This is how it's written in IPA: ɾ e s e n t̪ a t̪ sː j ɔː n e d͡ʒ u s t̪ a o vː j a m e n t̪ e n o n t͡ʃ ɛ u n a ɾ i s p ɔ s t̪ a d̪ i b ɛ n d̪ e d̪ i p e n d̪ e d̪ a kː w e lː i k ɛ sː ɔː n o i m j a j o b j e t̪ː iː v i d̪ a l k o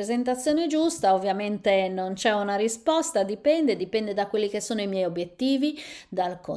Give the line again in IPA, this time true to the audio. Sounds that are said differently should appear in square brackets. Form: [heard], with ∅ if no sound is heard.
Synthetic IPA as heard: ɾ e [z] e n t̪ a t̪ sː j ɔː n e d͡ʒ u s t̪ a o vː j a m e n t̪ e n o n t͡ʃ ɛ u n a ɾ i s p ɔ s t̪ a d̪ i [p] ɛ n d̪ e d̪ i p [ɛ] n d̪ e d̪ a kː w e lː i k [e] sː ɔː n o i m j [ɛ] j o b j e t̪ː iː v i d̪ a l k o